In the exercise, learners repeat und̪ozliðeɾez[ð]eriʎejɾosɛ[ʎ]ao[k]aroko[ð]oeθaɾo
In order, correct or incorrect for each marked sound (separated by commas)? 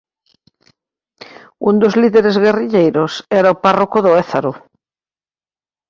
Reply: incorrect, incorrect, incorrect, correct